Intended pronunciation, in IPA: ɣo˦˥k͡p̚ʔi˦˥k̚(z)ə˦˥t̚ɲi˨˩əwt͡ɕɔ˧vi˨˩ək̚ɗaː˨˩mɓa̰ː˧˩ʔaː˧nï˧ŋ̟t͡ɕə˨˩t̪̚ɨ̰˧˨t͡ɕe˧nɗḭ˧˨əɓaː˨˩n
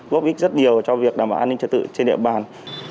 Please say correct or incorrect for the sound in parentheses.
correct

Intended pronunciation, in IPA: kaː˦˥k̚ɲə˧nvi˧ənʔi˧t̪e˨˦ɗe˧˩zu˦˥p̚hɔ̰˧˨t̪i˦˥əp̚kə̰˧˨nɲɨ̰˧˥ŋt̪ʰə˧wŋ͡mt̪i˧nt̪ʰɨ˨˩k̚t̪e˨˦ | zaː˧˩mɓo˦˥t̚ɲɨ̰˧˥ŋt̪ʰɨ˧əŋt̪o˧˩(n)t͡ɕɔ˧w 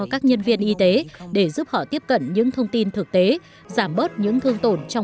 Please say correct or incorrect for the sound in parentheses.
correct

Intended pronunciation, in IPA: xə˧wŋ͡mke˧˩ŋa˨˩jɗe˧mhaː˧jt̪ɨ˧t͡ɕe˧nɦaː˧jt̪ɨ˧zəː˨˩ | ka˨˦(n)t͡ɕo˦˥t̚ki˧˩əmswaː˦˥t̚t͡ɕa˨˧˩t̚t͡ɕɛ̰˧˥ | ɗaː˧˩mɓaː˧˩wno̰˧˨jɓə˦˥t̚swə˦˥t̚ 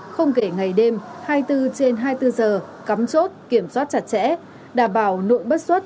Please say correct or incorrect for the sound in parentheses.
incorrect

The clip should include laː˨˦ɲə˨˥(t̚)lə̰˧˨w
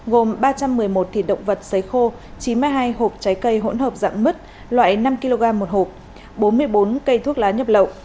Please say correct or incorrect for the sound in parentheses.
incorrect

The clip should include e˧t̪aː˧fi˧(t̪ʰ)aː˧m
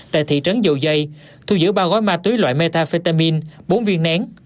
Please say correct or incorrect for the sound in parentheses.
incorrect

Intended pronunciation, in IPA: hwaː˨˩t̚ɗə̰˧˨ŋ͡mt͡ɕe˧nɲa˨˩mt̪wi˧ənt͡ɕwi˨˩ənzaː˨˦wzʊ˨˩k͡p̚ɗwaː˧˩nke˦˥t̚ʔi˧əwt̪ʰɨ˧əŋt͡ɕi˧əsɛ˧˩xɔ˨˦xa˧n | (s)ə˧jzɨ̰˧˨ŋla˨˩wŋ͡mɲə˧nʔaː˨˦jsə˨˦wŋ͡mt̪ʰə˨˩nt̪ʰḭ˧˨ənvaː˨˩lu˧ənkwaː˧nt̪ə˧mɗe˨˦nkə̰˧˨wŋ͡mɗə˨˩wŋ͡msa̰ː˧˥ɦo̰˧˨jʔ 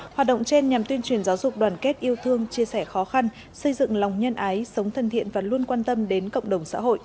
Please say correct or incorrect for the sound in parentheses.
correct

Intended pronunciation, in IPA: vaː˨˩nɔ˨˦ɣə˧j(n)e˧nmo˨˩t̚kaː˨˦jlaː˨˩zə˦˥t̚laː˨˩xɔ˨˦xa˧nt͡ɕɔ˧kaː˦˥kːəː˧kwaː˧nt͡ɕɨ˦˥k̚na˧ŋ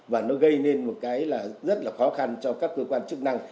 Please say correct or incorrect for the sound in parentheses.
correct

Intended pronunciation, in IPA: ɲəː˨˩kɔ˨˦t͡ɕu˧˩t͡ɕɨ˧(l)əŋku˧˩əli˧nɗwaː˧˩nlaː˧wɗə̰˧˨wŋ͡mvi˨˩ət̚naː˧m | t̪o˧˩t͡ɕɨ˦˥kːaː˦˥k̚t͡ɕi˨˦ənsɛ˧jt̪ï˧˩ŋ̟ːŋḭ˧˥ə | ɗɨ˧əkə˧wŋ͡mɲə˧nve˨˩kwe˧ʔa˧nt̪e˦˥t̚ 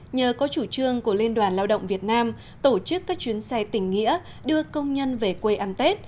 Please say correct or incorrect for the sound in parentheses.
incorrect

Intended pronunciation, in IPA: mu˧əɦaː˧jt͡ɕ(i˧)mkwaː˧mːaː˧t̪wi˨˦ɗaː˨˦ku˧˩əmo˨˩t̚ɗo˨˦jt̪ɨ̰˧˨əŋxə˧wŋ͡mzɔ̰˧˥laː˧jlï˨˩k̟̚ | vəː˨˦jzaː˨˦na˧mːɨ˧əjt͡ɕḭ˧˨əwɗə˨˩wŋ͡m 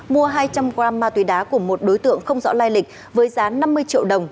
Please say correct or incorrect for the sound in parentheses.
incorrect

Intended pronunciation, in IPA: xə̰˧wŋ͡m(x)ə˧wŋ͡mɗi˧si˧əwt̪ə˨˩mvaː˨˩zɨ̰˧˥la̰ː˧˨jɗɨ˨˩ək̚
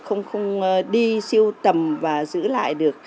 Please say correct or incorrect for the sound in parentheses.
correct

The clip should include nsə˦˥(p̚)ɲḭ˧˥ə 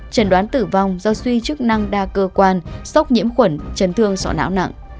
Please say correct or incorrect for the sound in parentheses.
incorrect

